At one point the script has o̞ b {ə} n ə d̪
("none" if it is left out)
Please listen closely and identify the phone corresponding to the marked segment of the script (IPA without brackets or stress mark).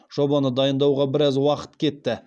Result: ɑ